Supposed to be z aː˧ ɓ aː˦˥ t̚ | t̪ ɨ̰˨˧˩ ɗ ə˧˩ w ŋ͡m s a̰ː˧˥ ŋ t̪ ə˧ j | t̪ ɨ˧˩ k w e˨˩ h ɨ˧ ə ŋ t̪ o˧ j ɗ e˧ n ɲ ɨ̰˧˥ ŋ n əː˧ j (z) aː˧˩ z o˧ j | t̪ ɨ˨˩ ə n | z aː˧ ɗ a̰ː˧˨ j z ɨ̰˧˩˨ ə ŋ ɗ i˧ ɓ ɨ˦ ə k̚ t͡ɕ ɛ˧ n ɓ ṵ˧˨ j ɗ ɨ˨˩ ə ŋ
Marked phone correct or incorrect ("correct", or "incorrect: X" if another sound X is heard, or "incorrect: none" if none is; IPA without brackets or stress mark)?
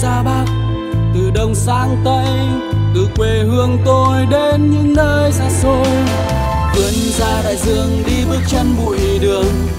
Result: correct